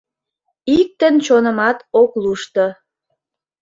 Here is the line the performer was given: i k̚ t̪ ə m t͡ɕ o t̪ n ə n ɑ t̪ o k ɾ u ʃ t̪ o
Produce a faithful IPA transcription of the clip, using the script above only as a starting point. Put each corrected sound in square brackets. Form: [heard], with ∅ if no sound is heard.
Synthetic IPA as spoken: i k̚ t̪ ə [n] t͡ɕ o [∅] n ə [m] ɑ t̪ o k [l] u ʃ t̪ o